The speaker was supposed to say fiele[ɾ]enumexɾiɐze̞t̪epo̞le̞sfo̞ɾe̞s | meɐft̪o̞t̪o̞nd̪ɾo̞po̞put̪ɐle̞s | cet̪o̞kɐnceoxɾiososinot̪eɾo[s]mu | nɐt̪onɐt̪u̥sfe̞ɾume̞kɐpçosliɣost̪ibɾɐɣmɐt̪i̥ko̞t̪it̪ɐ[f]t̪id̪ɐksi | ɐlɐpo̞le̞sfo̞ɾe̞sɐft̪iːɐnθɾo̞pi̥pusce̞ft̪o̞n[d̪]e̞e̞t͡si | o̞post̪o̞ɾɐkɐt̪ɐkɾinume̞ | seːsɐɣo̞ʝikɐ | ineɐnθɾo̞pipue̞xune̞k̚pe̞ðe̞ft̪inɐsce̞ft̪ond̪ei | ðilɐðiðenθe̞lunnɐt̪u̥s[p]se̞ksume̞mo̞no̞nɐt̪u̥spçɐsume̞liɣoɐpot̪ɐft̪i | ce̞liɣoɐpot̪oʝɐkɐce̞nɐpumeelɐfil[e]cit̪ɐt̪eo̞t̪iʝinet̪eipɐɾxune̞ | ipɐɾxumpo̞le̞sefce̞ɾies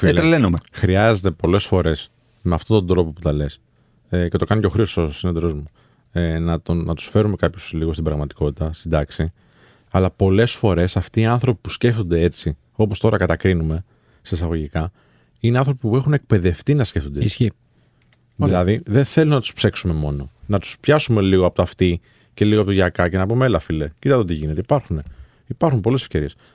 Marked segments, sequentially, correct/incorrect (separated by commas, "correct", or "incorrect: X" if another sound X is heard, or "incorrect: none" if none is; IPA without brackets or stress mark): incorrect: l, incorrect: z, incorrect: s, correct, correct, correct